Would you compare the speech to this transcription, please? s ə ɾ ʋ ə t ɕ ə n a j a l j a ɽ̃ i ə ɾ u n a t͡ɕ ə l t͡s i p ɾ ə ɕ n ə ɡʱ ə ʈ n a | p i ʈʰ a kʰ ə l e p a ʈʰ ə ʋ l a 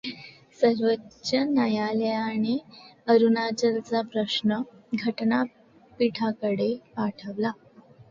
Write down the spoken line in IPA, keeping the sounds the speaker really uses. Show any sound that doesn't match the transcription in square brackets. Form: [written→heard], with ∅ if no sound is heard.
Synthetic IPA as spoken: s ə ɾ ʋ ə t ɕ ə n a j a l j a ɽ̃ i ə ɾ u n a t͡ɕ ə l t͡s [i→a] p ɾ ə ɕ n ə ɡʱ ə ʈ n a | p i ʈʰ a [kʰ→k] ə [l→ɽ] e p a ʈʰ ə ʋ l a